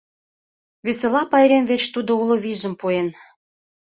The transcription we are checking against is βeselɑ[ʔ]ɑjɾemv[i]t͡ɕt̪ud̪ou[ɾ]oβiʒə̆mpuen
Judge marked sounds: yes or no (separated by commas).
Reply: no, no, no